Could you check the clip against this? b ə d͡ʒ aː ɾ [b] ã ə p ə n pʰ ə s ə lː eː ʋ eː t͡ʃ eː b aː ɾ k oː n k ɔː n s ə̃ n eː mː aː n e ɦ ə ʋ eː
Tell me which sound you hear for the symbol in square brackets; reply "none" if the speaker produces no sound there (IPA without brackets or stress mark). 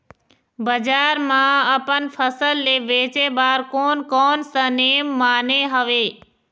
m